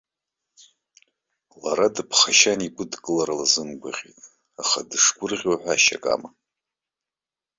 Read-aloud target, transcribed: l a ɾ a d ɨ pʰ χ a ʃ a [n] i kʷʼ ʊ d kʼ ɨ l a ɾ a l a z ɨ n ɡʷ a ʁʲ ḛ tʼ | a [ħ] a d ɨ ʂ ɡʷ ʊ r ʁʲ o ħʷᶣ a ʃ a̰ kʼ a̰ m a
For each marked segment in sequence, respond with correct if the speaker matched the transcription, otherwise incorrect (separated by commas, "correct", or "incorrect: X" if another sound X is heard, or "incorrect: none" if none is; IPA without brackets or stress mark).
correct, incorrect: χ